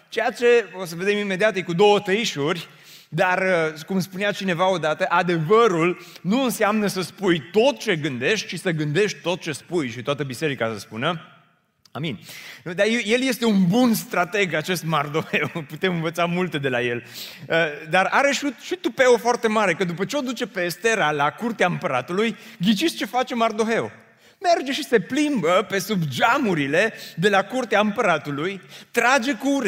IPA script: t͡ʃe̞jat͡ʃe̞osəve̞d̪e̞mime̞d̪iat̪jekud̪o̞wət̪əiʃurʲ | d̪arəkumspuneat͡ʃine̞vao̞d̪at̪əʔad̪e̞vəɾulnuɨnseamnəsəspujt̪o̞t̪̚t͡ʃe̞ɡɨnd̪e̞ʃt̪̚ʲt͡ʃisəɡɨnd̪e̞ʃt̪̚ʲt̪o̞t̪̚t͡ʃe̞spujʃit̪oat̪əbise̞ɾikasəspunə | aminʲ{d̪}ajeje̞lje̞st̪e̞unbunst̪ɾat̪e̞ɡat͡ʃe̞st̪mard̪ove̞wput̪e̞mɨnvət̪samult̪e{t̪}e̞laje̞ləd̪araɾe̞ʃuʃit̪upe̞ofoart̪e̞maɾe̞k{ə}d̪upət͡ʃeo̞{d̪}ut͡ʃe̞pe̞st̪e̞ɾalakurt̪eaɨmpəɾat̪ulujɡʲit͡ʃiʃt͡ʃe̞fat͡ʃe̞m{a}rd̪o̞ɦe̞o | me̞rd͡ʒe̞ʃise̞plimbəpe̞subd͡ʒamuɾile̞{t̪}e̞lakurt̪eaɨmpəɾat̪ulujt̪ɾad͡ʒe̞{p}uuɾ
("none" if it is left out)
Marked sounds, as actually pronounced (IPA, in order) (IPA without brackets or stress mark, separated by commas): d̪, d̪, ə, d̪, a, d̪, k